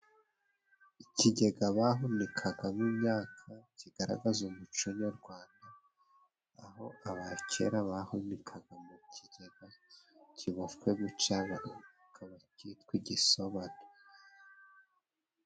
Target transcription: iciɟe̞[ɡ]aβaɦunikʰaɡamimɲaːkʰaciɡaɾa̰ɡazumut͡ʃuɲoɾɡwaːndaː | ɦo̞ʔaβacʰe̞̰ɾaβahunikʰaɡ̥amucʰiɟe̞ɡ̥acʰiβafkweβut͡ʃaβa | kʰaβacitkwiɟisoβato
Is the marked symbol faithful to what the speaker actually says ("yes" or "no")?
yes